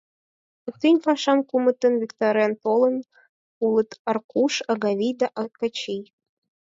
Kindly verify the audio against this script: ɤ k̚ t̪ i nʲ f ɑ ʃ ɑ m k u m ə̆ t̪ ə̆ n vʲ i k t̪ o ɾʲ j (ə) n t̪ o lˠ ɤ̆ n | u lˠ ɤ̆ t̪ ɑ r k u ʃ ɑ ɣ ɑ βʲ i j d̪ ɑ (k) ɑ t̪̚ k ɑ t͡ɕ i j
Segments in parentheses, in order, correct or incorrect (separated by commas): incorrect, incorrect